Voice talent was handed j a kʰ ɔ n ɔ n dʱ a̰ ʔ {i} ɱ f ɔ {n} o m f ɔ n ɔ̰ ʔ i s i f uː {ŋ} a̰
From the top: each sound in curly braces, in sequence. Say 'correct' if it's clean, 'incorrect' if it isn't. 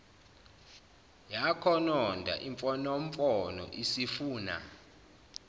correct, correct, incorrect: n

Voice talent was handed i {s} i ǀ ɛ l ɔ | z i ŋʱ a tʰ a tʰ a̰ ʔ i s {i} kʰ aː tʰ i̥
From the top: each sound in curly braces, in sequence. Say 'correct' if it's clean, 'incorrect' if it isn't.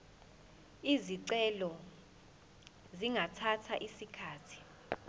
incorrect: z, correct

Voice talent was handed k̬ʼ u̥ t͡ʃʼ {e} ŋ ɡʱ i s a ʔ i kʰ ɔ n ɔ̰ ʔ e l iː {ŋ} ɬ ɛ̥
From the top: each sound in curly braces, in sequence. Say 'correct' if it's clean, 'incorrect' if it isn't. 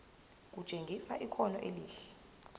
correct, incorrect: none

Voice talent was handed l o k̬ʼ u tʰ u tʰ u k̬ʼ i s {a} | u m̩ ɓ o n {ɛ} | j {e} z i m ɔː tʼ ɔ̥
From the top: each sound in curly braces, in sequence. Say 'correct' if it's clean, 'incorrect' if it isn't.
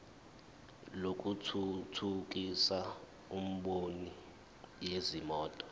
correct, incorrect: i, correct

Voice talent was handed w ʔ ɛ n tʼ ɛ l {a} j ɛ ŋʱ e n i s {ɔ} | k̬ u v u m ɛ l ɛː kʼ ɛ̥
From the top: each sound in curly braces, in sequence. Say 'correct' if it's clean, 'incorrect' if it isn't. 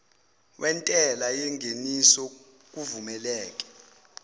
correct, correct

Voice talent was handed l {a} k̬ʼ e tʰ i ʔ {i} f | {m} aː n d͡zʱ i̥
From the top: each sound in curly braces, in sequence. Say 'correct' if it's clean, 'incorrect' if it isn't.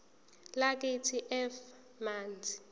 correct, incorrect: ɛ, correct

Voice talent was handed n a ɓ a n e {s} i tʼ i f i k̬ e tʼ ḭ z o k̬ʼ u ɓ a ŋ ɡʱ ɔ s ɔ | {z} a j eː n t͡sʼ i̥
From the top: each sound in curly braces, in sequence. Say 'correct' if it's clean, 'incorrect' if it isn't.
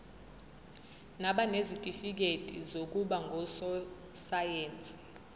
incorrect: z, incorrect: s

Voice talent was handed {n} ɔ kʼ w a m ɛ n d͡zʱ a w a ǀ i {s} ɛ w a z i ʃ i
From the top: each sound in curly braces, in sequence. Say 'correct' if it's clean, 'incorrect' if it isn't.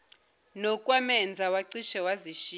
correct, incorrect: ʃ

